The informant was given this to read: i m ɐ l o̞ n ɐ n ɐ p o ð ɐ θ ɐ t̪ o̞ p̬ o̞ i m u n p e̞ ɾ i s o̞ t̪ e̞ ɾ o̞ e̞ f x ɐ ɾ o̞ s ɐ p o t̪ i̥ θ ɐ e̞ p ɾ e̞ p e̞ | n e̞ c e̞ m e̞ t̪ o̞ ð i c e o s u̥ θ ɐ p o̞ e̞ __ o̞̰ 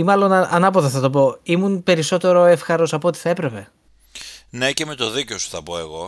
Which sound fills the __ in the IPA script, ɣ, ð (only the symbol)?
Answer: ɣ